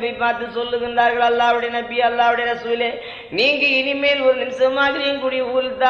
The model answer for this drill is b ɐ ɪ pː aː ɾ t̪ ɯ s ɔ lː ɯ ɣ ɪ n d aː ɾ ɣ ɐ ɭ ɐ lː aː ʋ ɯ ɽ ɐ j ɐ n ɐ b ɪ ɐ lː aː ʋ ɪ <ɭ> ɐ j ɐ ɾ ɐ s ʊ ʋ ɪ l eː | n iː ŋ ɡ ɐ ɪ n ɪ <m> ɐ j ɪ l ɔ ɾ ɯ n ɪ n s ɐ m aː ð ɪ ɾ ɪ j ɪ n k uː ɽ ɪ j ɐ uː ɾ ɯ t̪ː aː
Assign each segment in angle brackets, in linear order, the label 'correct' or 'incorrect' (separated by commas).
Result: incorrect, correct